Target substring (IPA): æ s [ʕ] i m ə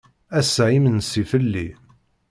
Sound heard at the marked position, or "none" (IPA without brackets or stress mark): ʕ